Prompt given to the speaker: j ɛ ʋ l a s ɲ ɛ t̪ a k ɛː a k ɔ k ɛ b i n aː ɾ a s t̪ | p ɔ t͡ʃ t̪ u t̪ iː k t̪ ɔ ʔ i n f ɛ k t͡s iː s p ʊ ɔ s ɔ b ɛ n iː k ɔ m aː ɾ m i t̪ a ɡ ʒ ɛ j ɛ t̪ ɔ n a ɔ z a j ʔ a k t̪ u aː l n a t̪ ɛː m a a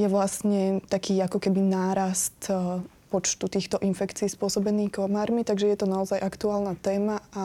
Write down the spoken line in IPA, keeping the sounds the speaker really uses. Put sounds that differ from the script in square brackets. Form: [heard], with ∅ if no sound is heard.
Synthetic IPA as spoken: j ɛ ʋ l a s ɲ ɛ t̪ a k [iː] a k ɔ k ɛ b i n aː ɾ a s t̪ | p ɔ t͡ʃ t̪ u t̪ iː [x] t̪ ɔ ʔ i n f ɛ k t͡s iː s p ʊ ɔ s ɔ b ɛ n iː k ɔ m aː ɾ m i t̪ a ɡ ʒ ɛ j ɛ t̪ ɔ n a ɔ z a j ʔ a k t̪ u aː l n a t̪ ɛː m a a